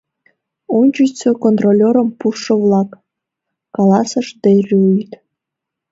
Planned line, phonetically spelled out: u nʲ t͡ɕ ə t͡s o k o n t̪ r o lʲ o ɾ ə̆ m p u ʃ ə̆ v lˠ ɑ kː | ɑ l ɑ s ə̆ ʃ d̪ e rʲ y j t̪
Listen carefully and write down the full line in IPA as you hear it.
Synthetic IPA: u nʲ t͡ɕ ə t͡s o k o n t̪ r o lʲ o ɾ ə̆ m p u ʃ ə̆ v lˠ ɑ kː | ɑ l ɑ s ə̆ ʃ d̪ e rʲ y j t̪